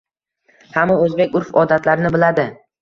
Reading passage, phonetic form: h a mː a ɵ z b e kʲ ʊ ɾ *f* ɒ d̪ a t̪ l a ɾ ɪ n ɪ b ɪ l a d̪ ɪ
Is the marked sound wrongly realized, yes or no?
no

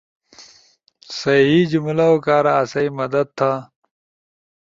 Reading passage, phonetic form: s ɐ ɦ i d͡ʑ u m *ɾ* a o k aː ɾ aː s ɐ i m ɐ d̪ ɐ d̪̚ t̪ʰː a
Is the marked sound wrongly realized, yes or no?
yes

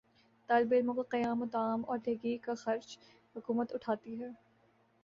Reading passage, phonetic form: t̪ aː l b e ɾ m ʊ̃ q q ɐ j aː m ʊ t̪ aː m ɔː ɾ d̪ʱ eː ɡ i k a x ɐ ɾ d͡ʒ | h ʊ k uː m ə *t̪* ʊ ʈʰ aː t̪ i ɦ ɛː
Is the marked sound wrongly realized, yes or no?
no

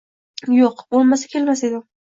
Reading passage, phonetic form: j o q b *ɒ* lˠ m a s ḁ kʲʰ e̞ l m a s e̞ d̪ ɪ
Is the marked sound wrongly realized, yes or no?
yes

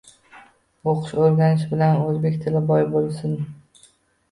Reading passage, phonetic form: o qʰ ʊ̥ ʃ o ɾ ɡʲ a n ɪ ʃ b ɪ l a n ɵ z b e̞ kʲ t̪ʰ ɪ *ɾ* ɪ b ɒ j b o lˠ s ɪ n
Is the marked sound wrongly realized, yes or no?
yes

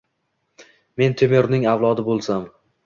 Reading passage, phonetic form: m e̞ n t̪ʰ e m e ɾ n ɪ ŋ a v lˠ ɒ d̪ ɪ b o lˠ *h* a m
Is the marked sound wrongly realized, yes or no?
yes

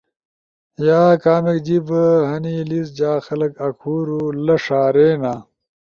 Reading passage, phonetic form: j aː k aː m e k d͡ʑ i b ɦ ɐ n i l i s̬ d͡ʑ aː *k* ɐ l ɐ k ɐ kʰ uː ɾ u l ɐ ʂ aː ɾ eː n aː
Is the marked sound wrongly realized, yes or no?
yes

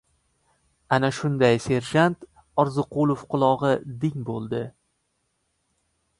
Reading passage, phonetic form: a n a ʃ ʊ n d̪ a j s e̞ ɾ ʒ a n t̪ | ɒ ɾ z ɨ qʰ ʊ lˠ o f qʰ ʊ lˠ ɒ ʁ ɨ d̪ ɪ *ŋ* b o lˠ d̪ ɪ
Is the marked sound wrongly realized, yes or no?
no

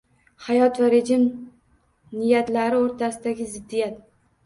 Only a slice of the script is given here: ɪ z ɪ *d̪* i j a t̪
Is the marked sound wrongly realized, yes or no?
yes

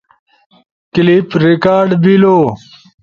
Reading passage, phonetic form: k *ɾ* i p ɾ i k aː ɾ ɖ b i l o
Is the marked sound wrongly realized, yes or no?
yes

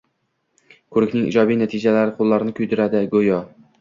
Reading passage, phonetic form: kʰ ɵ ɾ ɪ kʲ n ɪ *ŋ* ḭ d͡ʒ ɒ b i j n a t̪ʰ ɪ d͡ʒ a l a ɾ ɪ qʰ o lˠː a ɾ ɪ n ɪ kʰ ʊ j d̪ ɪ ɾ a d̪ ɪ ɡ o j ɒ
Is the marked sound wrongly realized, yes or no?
no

